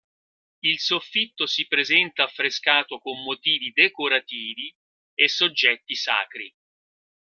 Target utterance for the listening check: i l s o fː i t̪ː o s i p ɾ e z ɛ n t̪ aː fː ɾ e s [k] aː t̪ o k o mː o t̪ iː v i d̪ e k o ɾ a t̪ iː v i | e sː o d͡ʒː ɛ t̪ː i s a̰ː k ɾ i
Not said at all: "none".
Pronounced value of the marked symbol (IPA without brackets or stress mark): k